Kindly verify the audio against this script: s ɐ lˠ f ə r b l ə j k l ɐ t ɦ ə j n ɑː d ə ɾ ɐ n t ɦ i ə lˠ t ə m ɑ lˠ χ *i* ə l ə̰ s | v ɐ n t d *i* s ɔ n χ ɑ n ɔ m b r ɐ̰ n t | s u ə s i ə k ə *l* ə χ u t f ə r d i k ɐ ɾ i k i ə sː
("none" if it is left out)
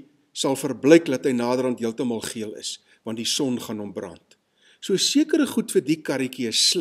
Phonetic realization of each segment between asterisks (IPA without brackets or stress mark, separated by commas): i, i, ɾ